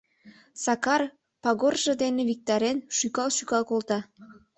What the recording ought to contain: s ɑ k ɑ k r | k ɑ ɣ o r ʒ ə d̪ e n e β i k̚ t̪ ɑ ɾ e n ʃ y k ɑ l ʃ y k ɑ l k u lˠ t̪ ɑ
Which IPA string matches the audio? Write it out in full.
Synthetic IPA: s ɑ k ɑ r | p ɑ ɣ o r ʒ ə d̪ e n e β i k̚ t̪ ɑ ɾ e n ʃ y k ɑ l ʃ y k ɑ l k o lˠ t̪ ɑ

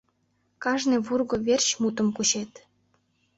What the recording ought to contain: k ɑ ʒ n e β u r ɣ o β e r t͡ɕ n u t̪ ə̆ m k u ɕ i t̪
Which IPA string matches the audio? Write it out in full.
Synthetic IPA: k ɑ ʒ n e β u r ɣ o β e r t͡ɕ m u t̪ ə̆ m k u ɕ e t̪

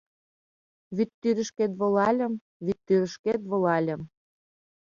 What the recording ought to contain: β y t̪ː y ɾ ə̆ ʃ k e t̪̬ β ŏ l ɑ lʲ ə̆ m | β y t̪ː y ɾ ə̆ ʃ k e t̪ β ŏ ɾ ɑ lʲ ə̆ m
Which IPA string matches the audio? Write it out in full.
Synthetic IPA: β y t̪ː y ɾ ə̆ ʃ k e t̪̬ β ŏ l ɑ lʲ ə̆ m | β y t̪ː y ɾ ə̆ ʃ k e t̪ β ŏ l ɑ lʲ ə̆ m

